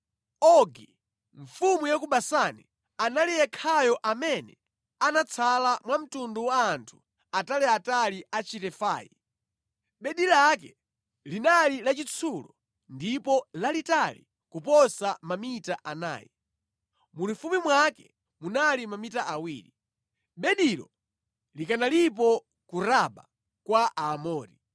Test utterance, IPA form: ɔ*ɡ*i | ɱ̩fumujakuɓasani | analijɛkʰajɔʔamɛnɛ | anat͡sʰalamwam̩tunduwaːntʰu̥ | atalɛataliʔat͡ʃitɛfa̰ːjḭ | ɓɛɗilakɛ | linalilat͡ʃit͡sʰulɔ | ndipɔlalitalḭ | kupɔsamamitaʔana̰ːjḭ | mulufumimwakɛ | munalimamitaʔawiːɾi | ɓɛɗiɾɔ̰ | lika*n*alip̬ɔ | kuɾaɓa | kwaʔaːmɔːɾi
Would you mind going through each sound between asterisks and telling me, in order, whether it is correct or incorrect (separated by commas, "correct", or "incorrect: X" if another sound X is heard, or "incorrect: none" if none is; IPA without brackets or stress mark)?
correct, correct